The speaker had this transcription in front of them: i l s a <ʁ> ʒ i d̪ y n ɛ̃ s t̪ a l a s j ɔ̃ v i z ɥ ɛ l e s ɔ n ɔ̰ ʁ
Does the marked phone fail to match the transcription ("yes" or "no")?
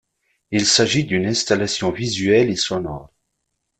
yes